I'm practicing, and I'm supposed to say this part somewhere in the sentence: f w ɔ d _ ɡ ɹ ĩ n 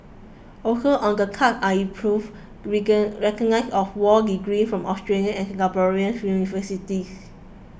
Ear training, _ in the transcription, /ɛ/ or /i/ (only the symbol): i